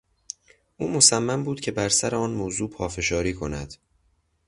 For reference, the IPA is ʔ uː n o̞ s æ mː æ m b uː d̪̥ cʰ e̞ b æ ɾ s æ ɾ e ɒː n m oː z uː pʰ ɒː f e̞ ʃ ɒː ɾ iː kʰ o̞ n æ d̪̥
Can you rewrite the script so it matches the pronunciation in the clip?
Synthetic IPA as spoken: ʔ uː m o̞ s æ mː æ m b uː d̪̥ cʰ e̞ b æ ɾ s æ ɾ e ɒː n m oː z uː pʰ ɒː f e̞ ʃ ɒː ɾ iː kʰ o̞ n æ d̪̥